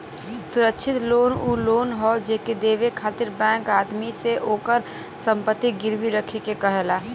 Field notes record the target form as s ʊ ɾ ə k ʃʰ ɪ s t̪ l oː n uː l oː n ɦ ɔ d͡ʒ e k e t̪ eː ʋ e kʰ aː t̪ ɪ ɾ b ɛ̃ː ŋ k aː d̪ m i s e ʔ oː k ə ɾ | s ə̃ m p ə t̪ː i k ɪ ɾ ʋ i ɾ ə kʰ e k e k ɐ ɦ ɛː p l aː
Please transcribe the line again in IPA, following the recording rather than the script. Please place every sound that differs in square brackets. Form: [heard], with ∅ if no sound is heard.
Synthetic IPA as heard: s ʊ ɾ ə k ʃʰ ɪ [∅] t̪ l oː n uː l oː n ɦ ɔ d͡ʒ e k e [d̪] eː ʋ e kʰ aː t̪ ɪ ɾ b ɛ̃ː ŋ k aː d̪ m i s e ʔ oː k ə ɾ | s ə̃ m p ə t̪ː i [ɡ] ɪ ɾ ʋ i ɾ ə kʰ e k e k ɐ ɦ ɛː [∅] l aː

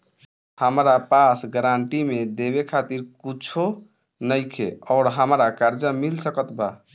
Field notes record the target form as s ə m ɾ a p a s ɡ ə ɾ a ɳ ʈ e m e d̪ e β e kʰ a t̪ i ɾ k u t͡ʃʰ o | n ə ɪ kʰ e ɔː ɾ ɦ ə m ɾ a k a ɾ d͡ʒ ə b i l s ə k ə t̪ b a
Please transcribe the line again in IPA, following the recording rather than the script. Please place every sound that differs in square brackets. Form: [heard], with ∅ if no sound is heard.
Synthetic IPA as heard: [h] ə m ɾ a p a s ɡ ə ɾ a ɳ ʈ [i] m e d̪ e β e kʰ a t̪ i ɾ k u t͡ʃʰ o | n ə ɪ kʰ e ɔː ɾ ɦ ə m ɾ a k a ɾ d͡ʒ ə [m] i l s ə k ə t̪ b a

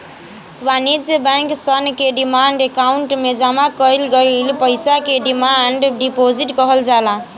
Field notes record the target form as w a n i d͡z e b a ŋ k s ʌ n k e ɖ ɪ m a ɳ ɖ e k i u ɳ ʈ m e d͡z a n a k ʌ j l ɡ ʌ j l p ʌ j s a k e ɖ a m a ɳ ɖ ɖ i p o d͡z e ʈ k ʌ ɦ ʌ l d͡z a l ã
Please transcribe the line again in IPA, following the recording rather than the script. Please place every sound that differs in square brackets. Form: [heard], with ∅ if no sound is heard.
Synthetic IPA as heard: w a n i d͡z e b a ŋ k s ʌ n k e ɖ [i] m a ɳ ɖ e k [a] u ɳ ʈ m e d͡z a [m] a k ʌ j l ɡ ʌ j l p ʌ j s a k e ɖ [i] m a ɳ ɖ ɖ i p o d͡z [i] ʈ k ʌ ɦ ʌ l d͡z a l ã

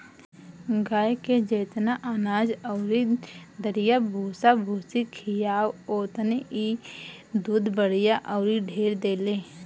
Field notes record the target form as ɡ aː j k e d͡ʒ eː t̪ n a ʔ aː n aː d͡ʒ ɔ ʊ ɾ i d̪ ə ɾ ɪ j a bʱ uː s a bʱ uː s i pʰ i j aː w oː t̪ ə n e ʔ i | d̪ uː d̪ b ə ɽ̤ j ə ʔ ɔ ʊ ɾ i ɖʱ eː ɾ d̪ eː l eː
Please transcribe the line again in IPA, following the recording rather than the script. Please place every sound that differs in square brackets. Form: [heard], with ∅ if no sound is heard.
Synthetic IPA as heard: ɡ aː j k e d͡ʒ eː t̪ n a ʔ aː n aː d͡ʒ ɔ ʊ ɾ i d̪ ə ɾ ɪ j a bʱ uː s a bʱ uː s i [kʰ] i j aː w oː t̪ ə n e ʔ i | d̪ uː d̪ b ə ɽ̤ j [a] ʔ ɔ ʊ ɾ i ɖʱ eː ɾ d̪ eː l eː

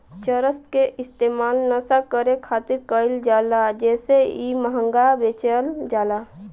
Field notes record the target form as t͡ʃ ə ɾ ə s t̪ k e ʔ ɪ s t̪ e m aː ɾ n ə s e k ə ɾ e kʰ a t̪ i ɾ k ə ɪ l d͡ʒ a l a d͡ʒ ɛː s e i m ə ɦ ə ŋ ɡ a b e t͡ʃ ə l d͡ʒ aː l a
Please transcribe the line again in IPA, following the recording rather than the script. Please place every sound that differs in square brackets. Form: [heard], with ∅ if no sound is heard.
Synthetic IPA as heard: t͡ʃ ə ɾ ə s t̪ k e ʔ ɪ s t̪ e m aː [l] n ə s [a] k ə ɾ e kʰ a t̪ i ɾ k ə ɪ l d͡ʒ a l a d͡ʒ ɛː s e i m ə ɦ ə ŋ ɡ a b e t͡ʃ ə l d͡ʒ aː l a

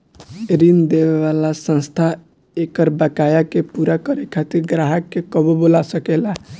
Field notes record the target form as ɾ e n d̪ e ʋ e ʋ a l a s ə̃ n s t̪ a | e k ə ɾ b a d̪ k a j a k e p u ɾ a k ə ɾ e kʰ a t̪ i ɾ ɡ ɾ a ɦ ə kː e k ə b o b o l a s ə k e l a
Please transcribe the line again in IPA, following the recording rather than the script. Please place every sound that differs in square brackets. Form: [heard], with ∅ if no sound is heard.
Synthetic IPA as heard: ɾ [i] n d̪ e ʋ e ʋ a l a s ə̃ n s [t̪ʰ] a | e k ə ɾ b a [∅] k a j a k e p u ɾ a k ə ɾ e kʰ a t̪ i ɾ ɡ ɾ a ɦ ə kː e k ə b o b o l a s ə k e l a

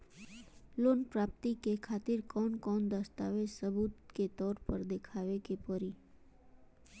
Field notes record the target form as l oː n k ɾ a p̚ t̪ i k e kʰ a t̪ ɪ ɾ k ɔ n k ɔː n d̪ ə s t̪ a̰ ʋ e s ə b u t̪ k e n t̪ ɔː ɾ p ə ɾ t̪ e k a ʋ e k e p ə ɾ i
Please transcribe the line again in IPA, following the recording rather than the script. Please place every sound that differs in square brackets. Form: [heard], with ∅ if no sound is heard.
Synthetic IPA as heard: l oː n [p] ɾ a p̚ t̪ i k e kʰ a t̪ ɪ ɾ k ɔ n k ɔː n d̪ ə s t̪ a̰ ʋ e s ə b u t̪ k e [∅] t̪ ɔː ɾ p ə ɾ [d̪] e [kʰ] a ʋ e k e p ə ɾ i

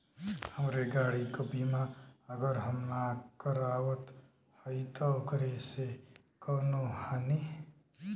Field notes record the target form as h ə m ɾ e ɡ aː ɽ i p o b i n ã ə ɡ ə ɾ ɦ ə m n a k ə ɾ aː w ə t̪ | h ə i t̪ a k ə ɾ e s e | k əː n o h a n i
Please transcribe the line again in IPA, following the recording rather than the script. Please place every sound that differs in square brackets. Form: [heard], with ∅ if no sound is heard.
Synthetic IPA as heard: h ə m ɾ e ɡ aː ɽ i [k] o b i [m] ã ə ɡ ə ɾ ɦ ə m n a k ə ɾ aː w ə t̪ | h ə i t̪ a k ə ɾ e s e | k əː n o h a n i

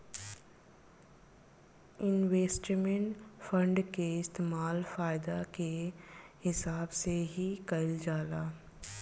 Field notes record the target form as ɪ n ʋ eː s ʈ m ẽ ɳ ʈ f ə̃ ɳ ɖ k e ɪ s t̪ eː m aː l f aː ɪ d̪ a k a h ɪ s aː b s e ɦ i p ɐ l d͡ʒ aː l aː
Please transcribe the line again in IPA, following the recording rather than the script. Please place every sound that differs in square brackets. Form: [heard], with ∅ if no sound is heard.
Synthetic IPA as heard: ɪ n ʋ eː s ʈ m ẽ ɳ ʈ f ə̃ ɳ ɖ k e ɪ s t̪ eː m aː l f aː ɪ d̪ a k [e] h ɪ s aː b s e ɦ i [k] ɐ l d͡ʒ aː l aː

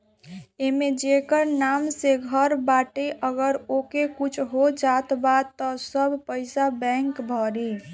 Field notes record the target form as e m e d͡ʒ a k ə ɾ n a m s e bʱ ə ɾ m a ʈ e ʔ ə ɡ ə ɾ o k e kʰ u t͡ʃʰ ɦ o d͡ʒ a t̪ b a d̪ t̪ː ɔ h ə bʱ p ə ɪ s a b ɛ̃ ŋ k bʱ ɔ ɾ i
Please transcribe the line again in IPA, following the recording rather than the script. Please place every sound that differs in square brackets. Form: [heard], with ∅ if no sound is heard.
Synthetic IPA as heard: e m e d͡ʒ [e] k ə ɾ n a m s e [ɡʱ] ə ɾ [b] a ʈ e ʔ ə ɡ ə ɾ o k e [k] u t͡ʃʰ ɦ o d͡ʒ a t̪ b a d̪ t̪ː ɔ [s] ə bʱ p ə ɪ s a b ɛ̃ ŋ k bʱ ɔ ɾ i

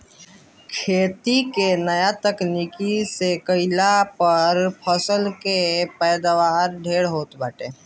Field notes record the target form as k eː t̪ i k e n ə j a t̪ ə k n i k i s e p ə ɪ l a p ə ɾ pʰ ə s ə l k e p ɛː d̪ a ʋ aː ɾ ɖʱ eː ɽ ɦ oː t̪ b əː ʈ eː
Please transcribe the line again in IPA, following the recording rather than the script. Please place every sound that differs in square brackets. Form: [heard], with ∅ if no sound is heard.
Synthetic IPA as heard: [kʰ] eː t̪ i k e n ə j a t̪ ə k n i k i s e [k] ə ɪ l a p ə ɾ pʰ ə s ə l k e p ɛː d̪ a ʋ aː ɾ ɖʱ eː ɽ ɦ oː t̪ b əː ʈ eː

